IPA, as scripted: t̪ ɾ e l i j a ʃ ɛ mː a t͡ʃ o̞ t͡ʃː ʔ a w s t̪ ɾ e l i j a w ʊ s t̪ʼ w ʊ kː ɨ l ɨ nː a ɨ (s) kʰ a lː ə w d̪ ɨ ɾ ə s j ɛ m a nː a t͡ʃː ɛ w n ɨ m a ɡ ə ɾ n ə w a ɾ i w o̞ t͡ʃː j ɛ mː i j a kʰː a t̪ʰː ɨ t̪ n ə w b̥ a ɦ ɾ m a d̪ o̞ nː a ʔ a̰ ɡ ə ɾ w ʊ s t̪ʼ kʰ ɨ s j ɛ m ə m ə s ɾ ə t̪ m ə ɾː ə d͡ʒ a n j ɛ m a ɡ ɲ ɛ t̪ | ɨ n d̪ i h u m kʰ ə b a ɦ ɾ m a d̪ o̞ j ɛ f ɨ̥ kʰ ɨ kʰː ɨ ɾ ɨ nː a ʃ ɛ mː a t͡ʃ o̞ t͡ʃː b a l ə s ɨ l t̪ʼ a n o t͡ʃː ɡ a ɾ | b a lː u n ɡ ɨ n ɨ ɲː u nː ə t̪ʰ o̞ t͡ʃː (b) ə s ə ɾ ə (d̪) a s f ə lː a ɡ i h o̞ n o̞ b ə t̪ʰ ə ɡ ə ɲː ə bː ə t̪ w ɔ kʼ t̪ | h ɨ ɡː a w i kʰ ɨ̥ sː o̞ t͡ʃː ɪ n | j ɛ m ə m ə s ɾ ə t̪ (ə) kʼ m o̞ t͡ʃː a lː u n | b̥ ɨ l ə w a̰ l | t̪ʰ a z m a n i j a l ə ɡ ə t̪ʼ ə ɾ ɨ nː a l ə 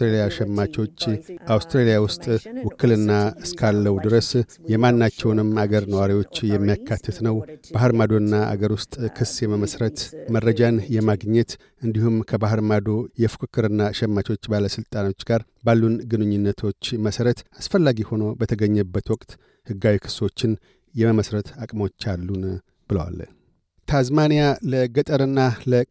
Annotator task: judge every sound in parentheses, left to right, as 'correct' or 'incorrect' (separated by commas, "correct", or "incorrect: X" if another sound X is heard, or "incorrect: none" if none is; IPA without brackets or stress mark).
correct, incorrect: m, incorrect: t̪, incorrect: a